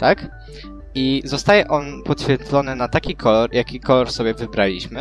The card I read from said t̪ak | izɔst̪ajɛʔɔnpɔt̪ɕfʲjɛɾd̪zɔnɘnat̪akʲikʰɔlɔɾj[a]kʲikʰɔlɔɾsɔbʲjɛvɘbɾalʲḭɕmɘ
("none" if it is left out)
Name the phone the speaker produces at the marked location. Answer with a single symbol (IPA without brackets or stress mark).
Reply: a